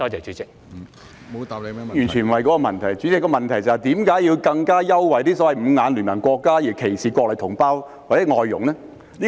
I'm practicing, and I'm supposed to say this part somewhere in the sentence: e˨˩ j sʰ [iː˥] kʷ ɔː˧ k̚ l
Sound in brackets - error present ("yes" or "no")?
yes